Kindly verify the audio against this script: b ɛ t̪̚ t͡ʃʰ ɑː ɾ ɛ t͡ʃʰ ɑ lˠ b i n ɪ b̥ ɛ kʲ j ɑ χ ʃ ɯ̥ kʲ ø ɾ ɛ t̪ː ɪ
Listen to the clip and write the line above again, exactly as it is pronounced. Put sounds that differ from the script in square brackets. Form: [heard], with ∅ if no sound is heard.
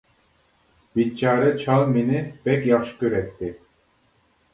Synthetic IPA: b [i] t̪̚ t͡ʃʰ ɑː ɾ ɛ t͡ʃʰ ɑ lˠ [m] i n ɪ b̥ ɛ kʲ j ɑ χ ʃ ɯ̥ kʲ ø ɾ ɛ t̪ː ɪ